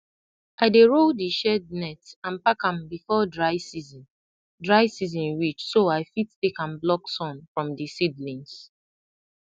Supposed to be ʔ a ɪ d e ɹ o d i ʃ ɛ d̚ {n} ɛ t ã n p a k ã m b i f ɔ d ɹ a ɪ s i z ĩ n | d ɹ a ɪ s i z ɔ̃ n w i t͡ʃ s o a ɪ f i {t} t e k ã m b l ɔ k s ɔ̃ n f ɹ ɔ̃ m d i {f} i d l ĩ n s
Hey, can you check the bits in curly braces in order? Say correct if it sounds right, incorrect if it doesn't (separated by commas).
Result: correct, correct, incorrect